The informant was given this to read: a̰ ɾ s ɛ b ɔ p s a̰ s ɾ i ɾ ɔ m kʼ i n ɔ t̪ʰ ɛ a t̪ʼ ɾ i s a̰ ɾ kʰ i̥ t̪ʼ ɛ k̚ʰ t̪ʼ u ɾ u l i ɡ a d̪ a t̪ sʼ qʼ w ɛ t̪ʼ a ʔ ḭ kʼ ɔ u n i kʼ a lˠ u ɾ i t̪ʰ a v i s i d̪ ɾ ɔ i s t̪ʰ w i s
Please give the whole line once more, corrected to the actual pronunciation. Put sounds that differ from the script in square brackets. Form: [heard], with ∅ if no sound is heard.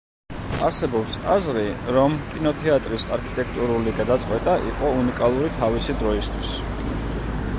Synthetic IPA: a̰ ɾ s ɛ b ɔ p s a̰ [z] ɾ i ɾ ɔ m kʼ i n ɔ t̪ʰ ɛ a t̪ʼ ɾ i s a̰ ɾ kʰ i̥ t̪ʼ ɛ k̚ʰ t̪ʼ u ɾ u l i ɡ a d̪ a t̪ sʼ qʼ w ɛ t̪ʼ a ʔ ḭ [qʼ] ɔ u n i kʼ a lˠ u ɾ i t̪ʰ a v i s i d̪ ɾ ɔ i s t̪ʰ w i s